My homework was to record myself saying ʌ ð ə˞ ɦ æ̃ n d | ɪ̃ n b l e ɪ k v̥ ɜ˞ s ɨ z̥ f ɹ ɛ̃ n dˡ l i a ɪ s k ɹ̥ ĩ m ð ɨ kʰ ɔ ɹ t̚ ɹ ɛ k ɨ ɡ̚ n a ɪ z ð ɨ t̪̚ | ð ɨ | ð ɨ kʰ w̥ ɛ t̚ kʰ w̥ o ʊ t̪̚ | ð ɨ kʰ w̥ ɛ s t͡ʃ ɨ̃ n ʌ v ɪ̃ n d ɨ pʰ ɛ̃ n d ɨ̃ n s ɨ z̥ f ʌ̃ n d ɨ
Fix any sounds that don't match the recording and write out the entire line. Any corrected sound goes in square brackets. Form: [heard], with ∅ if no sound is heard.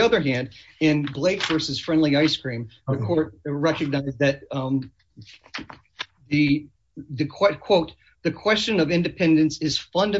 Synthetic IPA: ʌ ð ə˞ ɦ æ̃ n d | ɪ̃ n b l e ɪ k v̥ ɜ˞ s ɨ z̥ f ɹ ɛ̃ n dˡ l i a ɪ s k ɹ̥ ĩ m ð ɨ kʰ ɔ ɹ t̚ ɹ ɛ k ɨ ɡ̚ n a ɪ z ð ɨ t̪̚ | ð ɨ | ð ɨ kʰ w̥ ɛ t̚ kʰ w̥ o ʊ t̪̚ | ð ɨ kʰ w̥ ɛ s t͡ʃ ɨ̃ n ʌ v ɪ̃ n d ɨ pʰ ɛ̃ n d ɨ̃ n s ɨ z̥ f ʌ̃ n d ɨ